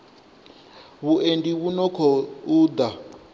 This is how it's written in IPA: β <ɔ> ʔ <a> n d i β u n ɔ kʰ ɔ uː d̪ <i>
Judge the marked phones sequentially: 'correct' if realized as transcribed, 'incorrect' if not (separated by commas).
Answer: incorrect, incorrect, incorrect